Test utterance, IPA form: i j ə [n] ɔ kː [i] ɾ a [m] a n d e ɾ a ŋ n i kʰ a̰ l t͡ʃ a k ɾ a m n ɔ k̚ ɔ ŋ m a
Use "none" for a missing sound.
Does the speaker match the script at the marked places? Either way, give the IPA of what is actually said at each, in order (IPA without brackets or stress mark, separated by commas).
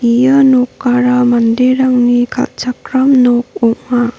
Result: n, a, m